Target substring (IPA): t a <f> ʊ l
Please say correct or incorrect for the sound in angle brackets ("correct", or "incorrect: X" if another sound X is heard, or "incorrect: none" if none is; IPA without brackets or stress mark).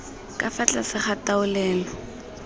incorrect: none